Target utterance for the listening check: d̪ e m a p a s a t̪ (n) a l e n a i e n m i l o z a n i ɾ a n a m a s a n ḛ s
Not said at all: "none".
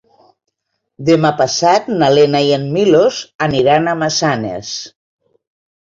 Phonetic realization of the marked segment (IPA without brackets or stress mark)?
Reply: n